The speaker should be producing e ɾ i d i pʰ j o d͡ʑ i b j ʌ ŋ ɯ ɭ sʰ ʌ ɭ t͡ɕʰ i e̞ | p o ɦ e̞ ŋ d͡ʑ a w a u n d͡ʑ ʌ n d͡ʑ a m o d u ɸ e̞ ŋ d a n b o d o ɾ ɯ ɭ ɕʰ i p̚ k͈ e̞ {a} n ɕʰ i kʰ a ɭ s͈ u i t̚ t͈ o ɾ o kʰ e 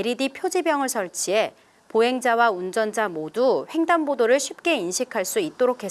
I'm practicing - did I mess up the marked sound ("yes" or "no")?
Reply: yes